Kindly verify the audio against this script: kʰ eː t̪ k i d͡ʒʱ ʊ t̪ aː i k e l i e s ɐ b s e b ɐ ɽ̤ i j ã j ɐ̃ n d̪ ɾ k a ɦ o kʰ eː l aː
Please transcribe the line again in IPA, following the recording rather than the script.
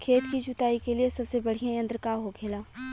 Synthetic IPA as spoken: kʰ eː t̪ k i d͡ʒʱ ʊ t̪ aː i k e l i e s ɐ b s e b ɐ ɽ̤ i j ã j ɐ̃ n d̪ ɾ k a ɦ o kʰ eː l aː